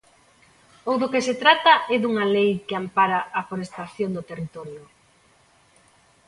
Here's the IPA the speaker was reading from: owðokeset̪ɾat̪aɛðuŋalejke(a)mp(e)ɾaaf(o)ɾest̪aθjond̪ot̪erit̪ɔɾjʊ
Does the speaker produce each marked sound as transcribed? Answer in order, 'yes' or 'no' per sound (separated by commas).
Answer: yes, no, yes